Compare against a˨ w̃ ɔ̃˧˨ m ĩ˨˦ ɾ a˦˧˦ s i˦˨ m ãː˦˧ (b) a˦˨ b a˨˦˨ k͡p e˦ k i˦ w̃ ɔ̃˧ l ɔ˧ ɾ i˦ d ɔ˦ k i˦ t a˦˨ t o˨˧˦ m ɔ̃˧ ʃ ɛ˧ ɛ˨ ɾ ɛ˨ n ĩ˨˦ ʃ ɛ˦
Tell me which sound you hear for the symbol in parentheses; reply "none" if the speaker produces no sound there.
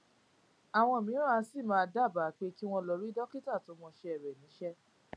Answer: d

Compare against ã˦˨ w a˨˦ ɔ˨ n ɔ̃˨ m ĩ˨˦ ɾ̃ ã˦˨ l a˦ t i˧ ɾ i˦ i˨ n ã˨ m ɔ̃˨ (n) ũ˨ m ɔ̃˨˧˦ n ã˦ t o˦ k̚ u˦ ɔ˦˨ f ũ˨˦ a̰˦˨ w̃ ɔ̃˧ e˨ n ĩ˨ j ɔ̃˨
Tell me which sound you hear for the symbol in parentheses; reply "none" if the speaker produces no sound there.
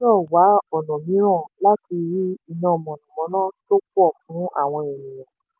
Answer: n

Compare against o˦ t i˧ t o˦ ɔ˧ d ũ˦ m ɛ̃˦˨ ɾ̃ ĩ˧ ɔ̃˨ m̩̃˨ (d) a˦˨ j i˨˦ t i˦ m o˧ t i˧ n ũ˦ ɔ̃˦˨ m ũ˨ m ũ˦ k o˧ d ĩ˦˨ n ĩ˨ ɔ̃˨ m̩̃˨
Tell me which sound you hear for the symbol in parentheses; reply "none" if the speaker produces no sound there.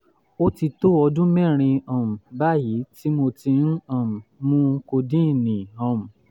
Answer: b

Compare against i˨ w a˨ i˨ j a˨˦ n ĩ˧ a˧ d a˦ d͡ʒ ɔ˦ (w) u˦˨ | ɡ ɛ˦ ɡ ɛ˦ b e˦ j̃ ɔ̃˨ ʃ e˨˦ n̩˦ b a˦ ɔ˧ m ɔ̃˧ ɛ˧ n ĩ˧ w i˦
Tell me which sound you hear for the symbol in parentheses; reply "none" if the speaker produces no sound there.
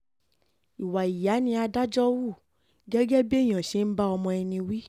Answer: w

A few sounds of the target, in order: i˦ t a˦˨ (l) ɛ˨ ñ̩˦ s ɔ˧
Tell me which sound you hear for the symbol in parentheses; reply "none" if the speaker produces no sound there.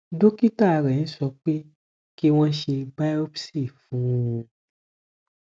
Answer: ɾ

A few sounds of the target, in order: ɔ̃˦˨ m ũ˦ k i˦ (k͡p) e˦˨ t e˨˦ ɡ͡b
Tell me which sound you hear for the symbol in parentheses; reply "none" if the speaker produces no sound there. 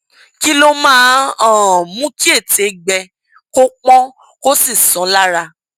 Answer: none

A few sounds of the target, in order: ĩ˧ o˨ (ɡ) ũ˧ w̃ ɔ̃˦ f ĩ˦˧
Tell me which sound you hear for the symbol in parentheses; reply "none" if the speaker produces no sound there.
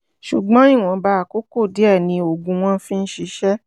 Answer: ɡ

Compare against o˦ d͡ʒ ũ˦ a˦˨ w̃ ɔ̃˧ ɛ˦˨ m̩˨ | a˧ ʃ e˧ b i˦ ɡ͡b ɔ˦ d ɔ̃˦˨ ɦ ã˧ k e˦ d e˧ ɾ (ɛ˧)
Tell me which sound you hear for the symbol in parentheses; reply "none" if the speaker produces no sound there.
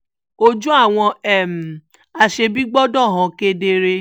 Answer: e˧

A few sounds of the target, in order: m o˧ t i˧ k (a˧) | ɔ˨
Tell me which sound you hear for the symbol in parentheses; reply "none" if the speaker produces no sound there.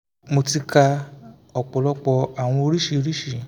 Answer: a˧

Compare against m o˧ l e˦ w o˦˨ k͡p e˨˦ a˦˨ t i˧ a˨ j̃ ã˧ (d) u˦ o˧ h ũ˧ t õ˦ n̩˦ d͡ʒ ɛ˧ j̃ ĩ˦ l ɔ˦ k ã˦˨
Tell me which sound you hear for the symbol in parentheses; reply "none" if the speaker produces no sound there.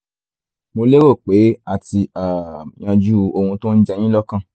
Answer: d͡ʒ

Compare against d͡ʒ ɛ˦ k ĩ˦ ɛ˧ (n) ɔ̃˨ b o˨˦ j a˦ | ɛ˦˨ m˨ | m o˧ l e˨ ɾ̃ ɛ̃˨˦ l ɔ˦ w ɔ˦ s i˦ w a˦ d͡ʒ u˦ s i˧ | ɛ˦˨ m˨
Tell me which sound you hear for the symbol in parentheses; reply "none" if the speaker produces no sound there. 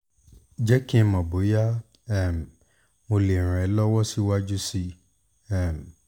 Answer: m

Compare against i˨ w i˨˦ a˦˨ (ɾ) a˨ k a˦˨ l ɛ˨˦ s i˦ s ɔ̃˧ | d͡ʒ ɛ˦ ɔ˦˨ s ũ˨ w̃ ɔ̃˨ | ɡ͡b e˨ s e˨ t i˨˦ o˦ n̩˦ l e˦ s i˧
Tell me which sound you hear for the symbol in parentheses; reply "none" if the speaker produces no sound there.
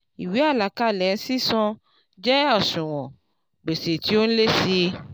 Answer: l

